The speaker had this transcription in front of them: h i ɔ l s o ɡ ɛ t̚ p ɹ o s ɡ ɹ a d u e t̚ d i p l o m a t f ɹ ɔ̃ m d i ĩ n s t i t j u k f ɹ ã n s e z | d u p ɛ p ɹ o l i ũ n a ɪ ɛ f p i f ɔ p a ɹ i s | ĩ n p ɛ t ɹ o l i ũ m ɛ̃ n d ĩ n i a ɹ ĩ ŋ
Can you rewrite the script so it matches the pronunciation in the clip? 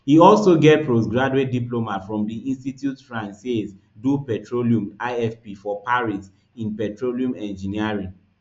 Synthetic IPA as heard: h i ɔ l s o ɡ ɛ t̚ p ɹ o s ɡ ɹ a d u e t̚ d i p l o m a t f ɹ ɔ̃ m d i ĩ n s t i t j u t f ɹ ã n s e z | d u p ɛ t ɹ o l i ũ m a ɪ ɛ f p i f ɔ p a ɹ i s | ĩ n p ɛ t ɹ o l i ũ m ɛ̃ n d͡ʒ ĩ n i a ɹ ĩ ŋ